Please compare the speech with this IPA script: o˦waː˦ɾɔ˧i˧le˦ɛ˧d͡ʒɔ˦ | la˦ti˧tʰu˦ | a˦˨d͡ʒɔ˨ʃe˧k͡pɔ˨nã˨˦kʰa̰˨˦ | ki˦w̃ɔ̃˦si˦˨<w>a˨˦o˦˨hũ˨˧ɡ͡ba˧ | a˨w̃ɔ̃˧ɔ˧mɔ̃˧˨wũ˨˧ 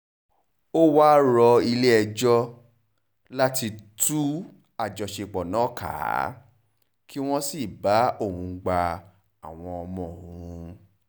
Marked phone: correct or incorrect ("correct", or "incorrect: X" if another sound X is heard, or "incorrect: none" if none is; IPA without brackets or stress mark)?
incorrect: b